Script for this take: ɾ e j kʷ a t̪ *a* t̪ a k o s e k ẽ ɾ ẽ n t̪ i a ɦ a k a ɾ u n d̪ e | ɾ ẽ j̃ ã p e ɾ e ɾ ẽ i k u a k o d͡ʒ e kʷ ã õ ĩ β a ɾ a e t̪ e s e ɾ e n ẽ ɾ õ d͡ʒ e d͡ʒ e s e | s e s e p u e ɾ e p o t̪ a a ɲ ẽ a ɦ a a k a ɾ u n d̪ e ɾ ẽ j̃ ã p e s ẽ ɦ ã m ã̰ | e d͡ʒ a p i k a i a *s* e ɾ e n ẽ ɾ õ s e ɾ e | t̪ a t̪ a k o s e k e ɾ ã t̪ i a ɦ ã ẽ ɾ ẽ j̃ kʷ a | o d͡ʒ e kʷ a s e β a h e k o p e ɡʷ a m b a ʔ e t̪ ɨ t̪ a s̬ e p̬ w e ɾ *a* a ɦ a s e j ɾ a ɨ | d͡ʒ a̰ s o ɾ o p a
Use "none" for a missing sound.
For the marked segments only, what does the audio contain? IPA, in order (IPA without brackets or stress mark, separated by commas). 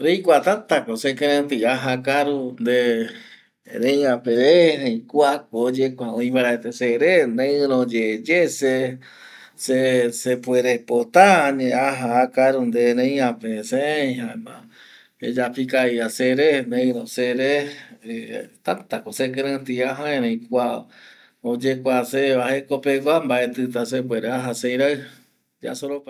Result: a, s, e